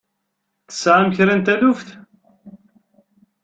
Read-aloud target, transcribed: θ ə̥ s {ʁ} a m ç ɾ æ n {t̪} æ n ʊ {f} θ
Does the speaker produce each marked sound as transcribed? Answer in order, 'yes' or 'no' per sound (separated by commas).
no, yes, yes